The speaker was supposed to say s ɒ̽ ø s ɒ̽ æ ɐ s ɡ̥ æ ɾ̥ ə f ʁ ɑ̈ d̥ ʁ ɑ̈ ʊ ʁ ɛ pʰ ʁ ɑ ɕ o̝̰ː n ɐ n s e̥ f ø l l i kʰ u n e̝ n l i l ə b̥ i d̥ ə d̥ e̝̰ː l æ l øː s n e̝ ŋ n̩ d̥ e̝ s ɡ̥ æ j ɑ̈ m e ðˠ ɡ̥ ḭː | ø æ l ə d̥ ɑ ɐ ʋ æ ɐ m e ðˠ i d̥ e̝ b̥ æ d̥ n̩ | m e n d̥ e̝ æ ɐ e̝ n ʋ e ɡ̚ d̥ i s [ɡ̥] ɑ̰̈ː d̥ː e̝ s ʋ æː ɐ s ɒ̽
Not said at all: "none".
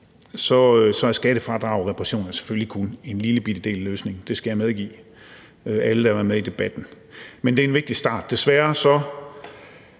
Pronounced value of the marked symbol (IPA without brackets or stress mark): d̥